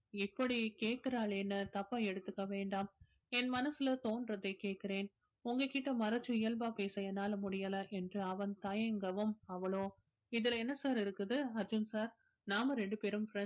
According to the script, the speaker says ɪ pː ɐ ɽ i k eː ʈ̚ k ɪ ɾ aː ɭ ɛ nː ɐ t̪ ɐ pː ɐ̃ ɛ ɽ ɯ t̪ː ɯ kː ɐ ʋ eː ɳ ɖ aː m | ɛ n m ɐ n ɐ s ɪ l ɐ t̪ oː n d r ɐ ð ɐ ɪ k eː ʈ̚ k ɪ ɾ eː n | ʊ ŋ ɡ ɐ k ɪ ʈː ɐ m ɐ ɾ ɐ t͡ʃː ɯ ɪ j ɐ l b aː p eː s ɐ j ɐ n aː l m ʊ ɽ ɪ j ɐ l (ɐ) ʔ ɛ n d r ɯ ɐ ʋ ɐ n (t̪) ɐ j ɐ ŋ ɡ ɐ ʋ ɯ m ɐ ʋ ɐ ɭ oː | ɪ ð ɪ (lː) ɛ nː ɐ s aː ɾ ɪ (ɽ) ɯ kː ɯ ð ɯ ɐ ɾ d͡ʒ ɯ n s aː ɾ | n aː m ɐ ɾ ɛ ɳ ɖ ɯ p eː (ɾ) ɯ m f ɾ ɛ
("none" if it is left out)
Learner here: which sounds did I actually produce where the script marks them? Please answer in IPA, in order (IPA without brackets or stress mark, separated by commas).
ɐ, t̪, l, ɾ, ɾ